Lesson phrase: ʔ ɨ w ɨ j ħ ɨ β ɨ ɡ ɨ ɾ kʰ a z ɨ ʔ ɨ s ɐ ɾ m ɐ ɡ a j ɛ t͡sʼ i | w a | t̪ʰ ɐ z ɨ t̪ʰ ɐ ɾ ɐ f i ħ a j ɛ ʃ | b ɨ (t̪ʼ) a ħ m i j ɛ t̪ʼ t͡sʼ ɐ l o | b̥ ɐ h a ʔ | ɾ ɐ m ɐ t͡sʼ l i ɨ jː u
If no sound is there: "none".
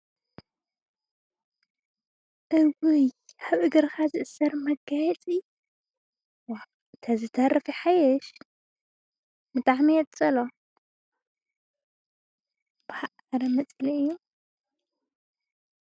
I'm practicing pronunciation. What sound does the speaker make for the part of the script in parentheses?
t̪ʼ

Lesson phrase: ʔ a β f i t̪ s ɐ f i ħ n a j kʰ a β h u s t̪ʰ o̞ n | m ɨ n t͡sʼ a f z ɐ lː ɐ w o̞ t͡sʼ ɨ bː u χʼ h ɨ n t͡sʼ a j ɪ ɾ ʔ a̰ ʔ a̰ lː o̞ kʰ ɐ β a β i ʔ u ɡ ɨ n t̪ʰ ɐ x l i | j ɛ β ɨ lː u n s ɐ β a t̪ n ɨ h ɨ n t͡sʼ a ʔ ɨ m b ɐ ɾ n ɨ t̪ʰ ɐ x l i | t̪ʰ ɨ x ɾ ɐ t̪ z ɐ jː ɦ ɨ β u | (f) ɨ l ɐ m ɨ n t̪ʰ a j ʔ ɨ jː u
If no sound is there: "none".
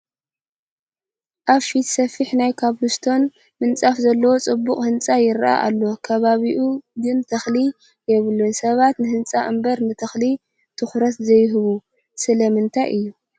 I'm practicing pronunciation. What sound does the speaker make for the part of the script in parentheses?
s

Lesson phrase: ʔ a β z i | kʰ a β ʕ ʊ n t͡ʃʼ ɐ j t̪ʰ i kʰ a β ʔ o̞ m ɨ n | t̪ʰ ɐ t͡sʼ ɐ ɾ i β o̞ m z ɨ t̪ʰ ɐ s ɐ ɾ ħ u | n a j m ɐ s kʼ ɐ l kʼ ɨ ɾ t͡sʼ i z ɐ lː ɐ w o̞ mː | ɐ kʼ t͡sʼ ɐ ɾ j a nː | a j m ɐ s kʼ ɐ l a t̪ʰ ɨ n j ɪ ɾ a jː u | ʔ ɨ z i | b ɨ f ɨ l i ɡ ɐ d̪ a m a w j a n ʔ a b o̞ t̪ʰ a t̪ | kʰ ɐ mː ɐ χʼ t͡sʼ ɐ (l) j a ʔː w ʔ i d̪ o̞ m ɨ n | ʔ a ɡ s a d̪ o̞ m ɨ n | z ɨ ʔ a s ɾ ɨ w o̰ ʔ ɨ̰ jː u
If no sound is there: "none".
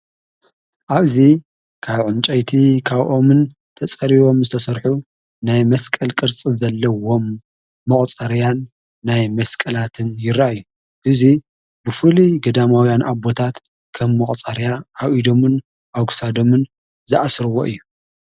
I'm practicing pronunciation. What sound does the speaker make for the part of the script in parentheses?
ɾ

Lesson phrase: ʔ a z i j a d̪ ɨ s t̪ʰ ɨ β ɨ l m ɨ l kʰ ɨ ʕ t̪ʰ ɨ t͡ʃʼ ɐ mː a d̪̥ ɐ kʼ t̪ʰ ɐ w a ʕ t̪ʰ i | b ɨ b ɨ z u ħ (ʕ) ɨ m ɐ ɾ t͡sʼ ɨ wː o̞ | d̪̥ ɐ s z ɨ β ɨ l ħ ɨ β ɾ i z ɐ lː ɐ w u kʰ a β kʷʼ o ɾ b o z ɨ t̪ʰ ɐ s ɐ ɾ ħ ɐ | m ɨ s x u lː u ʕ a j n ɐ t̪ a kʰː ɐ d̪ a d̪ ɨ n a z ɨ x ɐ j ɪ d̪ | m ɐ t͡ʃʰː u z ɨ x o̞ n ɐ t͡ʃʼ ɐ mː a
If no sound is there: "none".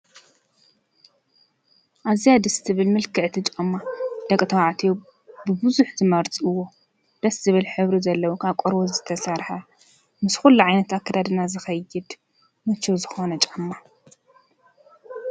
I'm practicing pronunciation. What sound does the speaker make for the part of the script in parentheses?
z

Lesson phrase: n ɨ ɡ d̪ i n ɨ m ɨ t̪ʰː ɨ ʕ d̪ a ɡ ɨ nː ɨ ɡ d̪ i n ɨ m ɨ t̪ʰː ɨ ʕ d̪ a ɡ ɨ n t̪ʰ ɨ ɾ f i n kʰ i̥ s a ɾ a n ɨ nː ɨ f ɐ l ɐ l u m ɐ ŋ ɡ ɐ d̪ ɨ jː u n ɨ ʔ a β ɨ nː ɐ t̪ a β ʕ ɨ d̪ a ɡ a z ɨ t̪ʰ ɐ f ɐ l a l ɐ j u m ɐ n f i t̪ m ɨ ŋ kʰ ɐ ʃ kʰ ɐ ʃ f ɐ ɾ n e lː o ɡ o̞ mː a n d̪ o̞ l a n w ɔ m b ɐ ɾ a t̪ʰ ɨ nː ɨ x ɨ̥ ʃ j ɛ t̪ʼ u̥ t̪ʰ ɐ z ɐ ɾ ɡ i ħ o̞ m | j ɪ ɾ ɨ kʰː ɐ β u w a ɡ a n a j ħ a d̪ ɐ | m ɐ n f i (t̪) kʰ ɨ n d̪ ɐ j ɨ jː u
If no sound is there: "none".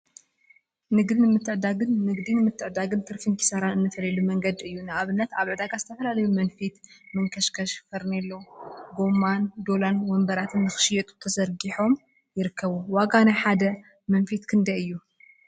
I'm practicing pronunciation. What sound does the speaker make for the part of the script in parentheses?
t̪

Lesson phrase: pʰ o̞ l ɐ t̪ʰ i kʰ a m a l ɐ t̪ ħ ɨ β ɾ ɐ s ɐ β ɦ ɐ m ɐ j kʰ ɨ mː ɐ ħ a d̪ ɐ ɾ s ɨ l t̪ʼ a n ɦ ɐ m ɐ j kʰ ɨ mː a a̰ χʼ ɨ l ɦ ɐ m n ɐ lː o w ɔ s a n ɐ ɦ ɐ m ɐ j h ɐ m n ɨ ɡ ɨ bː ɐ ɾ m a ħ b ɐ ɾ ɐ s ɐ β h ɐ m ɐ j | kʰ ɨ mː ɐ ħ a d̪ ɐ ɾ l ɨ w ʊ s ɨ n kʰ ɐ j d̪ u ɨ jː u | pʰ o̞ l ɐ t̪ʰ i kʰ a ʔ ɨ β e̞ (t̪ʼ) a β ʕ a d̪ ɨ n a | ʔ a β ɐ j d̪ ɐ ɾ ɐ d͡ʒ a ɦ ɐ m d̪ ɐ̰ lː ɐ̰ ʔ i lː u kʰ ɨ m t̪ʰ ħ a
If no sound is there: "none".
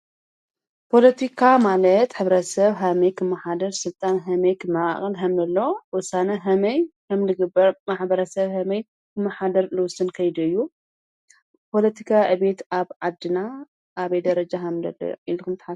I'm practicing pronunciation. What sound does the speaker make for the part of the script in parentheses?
t̪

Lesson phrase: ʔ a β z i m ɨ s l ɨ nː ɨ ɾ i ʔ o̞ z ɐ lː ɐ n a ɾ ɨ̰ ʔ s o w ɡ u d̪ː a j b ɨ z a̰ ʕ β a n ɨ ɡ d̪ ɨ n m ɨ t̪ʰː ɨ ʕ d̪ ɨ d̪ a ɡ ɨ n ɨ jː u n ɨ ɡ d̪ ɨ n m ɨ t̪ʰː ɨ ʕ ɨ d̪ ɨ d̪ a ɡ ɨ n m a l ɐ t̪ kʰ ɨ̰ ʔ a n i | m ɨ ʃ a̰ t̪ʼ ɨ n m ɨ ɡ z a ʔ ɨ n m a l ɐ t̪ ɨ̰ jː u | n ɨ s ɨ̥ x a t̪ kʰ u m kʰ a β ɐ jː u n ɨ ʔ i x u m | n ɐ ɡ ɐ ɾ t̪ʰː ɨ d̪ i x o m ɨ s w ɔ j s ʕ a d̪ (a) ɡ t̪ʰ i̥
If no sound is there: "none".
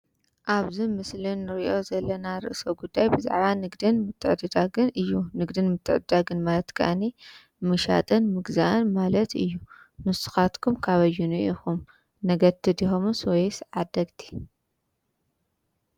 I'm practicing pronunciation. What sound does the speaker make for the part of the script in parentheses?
ɐ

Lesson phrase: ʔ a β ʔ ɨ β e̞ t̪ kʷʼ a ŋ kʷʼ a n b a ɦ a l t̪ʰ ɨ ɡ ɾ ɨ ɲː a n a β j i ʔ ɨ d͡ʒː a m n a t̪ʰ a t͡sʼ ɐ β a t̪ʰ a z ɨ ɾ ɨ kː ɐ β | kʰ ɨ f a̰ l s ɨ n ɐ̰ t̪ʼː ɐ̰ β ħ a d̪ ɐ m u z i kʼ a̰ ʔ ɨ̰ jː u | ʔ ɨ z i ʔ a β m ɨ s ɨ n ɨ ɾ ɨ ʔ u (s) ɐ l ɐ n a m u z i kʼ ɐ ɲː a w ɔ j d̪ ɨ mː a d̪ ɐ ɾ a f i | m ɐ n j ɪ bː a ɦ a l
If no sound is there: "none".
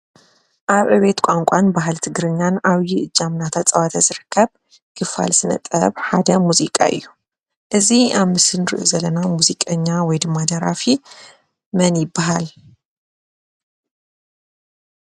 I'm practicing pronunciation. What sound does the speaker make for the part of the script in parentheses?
z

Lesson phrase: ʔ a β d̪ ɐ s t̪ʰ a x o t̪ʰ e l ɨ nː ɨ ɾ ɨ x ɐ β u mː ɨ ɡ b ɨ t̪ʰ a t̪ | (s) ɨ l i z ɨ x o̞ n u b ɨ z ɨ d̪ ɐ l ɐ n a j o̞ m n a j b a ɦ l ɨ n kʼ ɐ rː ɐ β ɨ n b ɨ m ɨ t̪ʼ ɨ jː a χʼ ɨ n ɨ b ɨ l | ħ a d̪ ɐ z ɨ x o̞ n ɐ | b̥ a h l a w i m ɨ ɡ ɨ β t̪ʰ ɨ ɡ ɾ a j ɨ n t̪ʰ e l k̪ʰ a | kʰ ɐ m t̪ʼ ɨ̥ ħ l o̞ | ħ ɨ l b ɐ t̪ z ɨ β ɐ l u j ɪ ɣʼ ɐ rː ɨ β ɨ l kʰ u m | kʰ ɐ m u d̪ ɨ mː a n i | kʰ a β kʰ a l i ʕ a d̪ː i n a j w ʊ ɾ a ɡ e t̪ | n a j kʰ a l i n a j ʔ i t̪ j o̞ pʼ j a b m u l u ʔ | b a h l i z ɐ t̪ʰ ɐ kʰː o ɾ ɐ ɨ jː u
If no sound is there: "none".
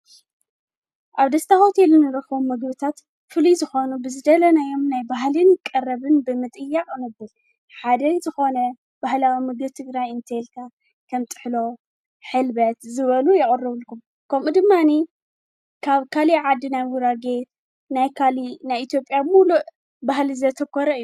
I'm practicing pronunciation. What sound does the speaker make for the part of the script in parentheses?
f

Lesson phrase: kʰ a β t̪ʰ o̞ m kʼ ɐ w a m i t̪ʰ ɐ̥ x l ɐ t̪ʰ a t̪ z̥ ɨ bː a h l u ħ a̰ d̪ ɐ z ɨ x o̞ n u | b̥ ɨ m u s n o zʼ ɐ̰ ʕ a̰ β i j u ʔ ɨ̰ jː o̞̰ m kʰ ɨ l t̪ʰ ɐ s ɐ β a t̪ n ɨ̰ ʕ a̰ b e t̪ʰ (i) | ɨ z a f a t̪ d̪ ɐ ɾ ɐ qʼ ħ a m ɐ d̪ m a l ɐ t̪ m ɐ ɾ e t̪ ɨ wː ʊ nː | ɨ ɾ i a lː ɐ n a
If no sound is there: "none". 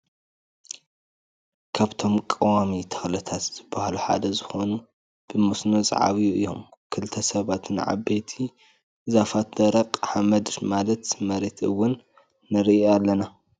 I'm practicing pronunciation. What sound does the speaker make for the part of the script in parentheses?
i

